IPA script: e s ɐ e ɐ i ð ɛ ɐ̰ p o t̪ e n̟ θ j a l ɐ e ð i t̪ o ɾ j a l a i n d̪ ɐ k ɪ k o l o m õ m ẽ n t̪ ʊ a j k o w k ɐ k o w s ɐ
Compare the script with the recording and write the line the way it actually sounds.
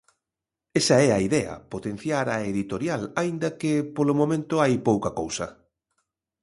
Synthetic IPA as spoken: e s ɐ ɛ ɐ i ð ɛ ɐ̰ p o t̪ e n̟ θ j a ɾ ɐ e ð i t̪ o ɾ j a l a i n d̪ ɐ k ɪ p o l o m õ m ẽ n t̪ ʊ a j p o w k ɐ k o w s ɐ